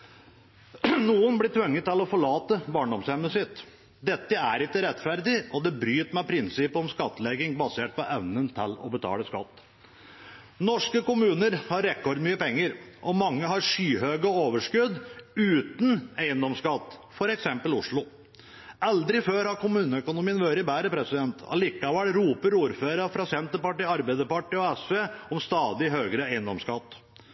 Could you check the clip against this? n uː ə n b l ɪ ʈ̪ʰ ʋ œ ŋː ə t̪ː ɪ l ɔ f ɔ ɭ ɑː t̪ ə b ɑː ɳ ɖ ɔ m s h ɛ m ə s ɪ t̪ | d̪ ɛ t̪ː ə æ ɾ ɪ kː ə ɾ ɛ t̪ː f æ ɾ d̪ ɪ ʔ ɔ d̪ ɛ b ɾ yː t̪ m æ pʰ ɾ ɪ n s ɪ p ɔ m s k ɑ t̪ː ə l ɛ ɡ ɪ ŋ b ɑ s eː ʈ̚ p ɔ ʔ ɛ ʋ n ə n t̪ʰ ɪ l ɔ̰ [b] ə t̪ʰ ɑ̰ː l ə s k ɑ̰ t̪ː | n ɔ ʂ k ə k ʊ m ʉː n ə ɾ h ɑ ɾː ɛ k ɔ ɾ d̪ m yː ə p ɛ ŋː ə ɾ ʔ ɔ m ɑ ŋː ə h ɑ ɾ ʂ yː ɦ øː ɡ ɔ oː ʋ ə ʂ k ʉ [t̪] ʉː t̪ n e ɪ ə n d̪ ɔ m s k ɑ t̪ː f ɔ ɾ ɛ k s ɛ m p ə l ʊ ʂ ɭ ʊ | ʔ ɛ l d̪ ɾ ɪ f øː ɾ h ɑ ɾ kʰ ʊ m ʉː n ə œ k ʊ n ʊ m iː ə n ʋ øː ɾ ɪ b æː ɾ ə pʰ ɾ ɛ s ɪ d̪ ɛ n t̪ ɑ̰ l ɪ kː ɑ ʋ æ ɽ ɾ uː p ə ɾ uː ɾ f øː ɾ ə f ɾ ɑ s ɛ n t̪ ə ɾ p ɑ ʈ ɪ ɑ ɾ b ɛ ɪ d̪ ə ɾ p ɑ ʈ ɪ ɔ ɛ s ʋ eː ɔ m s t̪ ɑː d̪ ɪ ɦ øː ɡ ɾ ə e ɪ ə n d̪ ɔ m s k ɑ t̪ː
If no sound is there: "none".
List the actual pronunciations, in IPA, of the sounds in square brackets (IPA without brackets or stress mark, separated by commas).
b, d̪